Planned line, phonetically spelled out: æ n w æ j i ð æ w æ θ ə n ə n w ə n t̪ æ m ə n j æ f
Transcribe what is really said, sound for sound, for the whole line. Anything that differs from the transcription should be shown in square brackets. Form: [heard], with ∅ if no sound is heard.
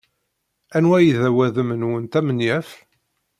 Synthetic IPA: æ n w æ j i ð æ w æ [ð] ə [m] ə n w ə n t̪ æ m ə n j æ f